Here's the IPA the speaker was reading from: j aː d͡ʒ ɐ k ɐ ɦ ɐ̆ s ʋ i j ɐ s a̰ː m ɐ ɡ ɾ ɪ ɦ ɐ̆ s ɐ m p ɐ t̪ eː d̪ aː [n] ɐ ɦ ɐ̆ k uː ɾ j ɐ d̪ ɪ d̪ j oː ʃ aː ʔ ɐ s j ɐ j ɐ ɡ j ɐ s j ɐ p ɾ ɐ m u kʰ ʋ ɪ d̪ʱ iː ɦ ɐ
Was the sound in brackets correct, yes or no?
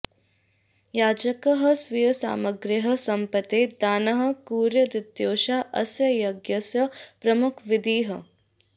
yes